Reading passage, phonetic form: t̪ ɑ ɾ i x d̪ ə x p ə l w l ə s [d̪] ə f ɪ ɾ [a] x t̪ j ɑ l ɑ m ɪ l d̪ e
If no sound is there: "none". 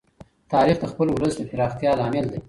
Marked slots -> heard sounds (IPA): d̪, ɑ

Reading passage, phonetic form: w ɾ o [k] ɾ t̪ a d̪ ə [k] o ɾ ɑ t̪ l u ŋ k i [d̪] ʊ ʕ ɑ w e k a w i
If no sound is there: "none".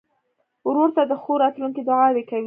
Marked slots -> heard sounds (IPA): none, x, d̪

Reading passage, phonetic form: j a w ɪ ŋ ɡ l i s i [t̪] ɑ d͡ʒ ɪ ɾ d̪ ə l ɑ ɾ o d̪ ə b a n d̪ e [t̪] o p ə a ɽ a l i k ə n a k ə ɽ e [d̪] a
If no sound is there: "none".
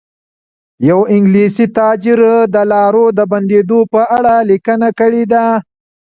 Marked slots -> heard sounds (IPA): t̪, d̪, d̪

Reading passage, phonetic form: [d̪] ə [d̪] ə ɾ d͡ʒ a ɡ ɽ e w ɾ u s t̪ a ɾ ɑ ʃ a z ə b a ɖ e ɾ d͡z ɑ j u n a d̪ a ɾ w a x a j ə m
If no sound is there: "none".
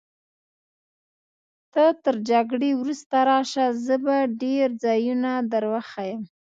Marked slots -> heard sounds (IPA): t̪, t̪

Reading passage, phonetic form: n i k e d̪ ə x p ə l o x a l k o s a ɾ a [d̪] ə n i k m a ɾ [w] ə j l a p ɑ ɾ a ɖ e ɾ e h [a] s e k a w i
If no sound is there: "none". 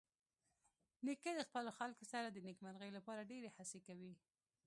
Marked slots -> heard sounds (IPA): d̪, ɣ, a

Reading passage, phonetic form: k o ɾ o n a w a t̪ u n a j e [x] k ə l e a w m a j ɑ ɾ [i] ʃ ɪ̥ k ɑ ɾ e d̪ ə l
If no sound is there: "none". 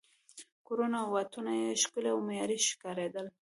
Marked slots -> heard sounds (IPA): ʃ, i

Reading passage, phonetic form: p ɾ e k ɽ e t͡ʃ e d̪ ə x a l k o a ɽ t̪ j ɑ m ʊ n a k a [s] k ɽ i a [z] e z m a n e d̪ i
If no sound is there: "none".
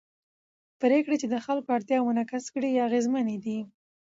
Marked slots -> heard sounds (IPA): s, ɣ

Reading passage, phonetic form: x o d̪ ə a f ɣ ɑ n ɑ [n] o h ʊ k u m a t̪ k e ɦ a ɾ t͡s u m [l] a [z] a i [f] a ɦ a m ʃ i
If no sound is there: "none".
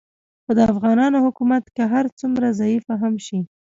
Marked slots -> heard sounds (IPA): n, ɾ, z, f

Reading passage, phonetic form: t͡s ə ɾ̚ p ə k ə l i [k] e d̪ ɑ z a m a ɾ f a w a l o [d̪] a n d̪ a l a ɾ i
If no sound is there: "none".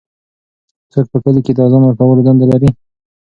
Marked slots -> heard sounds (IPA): k, d̪

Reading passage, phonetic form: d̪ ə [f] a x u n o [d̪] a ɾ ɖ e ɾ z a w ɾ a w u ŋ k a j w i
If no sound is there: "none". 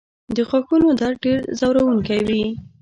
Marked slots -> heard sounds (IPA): x, d̪

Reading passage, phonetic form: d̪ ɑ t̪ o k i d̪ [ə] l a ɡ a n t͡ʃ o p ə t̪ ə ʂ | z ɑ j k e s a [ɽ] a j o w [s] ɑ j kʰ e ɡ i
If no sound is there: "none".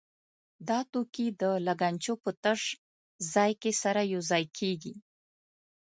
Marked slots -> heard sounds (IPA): ə, ɾ, z

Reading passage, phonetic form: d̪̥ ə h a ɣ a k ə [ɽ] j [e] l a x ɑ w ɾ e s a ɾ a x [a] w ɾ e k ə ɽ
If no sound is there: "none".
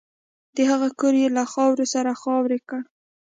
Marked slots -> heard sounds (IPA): ɾ, e, ɑ

